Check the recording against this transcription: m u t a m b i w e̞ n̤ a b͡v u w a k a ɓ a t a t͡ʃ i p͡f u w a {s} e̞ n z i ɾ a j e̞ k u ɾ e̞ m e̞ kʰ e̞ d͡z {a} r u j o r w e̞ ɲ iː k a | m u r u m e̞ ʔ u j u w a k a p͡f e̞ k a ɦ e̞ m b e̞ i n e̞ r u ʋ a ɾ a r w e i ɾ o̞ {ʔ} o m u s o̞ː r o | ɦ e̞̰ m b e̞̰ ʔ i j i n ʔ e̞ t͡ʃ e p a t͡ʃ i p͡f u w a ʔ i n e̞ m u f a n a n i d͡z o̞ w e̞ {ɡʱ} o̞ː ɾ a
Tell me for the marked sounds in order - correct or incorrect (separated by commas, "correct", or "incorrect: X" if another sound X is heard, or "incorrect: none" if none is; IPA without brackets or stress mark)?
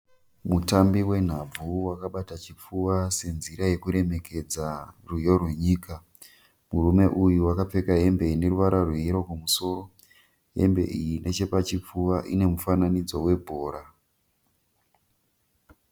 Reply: correct, correct, incorrect: k, incorrect: bʱ